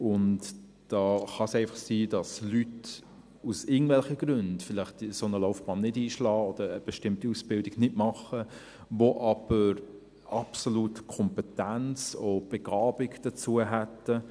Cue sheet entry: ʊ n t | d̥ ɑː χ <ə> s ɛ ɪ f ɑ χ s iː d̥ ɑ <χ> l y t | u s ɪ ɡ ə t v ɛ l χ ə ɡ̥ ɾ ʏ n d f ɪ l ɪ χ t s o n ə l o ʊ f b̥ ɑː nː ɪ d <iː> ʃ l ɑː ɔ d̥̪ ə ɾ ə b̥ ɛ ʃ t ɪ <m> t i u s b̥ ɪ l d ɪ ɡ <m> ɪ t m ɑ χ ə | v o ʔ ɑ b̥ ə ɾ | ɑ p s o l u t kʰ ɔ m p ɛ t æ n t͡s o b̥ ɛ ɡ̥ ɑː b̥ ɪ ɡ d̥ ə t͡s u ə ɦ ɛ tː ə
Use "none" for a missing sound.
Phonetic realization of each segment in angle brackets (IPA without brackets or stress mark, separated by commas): ɑ, s, iː, m, n